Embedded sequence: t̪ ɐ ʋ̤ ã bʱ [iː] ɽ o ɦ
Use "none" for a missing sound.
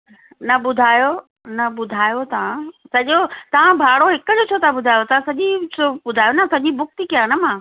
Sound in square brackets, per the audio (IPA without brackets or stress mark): aː